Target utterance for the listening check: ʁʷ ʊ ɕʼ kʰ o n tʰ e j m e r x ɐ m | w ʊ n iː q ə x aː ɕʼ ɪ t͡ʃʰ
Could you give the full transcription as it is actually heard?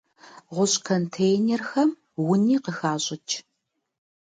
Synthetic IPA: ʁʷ ʊ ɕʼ kʰ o n tʰ e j n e r x ɐ m | w ʊ n iː q ə x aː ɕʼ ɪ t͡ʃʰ

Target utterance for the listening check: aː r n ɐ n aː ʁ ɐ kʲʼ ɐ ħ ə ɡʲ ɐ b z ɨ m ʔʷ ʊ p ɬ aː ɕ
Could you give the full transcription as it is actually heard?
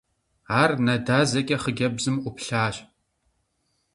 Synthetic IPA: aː r n ɐ d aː z ɐ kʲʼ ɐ χ ə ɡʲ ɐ b z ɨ m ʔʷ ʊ p ɬ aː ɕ

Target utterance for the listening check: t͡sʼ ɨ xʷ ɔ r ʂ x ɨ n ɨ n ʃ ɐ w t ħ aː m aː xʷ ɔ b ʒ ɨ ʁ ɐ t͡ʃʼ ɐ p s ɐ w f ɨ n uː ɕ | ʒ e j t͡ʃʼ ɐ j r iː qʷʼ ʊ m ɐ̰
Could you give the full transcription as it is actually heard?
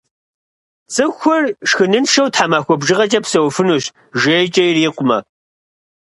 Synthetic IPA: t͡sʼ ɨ xʷ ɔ r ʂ x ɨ n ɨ n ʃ ɐ w t ħ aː m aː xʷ ɔ b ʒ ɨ ʁ ɐ t͡ʃʼ ɐ p s ɐ w f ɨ n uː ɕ | ʒ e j t͡ʃʼ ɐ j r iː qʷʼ ʊ m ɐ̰

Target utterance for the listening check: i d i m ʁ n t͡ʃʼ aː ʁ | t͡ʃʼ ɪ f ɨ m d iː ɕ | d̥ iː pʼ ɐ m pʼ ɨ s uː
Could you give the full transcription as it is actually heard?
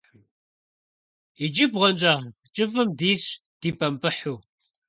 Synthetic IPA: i d͡ʒ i b ʁ n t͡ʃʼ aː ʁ | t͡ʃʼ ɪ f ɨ m d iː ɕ | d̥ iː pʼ ɐ m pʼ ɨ ħ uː

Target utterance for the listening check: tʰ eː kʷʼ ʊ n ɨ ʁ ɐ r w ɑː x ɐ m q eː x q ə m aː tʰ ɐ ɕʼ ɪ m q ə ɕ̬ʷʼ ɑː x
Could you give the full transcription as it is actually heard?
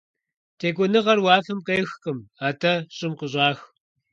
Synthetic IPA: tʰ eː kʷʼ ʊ n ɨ ʁ ɐ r w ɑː f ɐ m q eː x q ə m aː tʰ ɐ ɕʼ ɪ m q ə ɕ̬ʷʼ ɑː x

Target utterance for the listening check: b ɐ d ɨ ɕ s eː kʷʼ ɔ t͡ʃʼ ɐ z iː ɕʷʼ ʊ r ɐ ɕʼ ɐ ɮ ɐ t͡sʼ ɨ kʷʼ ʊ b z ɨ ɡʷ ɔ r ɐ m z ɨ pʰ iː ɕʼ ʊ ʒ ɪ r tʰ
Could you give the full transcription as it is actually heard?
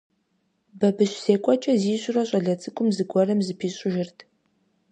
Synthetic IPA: b ɐ b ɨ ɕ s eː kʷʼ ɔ t͡ʃʼ ɐ z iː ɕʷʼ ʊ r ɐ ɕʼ ɐ ɮ ɐ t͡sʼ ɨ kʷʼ ʊ m z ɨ ɡʷ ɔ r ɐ m z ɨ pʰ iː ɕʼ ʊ ʒ ɪ r tʰ

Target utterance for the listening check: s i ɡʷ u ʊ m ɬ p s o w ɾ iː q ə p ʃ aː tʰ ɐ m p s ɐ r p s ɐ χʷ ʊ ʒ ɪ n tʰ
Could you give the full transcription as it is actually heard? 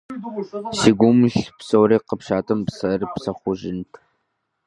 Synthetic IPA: s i ɡʷ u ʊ m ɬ p s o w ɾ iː q ə p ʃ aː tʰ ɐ m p s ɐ r p s ɐ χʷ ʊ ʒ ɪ n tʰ

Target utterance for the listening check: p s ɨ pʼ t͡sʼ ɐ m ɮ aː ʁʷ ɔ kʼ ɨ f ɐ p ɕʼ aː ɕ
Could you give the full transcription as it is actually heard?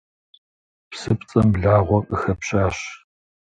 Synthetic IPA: p s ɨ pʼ t͡sʼ ɐ m ɮ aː ʁʷ ɔ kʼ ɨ x ɐ p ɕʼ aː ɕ

